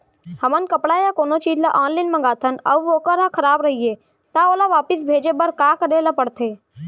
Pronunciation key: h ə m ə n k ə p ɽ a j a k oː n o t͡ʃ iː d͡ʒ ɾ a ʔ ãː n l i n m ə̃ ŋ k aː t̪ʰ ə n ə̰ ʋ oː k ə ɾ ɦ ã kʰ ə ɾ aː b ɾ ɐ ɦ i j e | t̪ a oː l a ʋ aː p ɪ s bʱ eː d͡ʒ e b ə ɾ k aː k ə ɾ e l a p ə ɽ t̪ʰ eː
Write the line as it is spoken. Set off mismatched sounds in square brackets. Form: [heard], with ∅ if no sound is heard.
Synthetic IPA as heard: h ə m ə n k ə p ɽ a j a k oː n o t͡ʃ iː d͡ʒ [l] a ʔ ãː n l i n m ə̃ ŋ [ɡ] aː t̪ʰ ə n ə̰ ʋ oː k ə ɾ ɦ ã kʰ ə ɾ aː b ɾ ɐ ɦ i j e | t̪ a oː l a ʋ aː p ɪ s bʱ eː d͡ʒ e b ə ɾ k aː k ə ɾ e l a p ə ɽ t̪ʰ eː